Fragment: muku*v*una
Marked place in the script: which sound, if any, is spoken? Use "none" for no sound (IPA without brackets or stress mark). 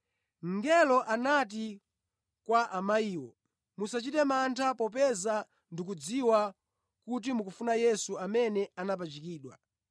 f